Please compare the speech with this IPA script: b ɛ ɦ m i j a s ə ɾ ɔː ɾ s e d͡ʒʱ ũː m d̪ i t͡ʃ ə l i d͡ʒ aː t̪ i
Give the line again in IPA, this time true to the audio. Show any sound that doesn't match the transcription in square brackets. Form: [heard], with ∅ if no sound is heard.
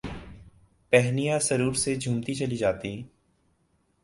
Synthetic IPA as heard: [p] ɛ ɦ [n] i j a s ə ɾ [uː] ɾ s e d͡ʒʱ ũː m [t̪] i t͡ʃ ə l i d͡ʒ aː t̪ i